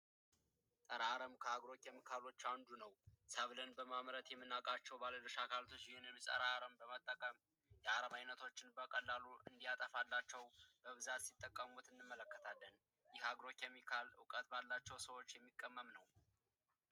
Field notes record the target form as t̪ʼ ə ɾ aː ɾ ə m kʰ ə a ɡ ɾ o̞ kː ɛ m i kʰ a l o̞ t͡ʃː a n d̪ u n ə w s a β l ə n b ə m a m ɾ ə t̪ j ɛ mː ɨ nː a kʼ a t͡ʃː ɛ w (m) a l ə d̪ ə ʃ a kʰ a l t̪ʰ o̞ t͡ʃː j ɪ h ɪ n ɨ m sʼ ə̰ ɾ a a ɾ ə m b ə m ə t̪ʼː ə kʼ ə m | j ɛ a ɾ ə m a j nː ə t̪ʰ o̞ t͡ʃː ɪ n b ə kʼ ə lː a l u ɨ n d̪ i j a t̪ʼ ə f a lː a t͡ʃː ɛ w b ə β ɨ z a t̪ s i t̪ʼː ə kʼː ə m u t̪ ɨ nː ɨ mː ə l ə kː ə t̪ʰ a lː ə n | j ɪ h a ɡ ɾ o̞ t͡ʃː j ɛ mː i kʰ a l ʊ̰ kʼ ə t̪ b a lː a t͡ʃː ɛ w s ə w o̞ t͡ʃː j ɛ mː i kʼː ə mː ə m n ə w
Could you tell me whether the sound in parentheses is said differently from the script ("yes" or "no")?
yes